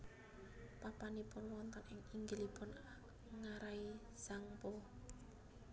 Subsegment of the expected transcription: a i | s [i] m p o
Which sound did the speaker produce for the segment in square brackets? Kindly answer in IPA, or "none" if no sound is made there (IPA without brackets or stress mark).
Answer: a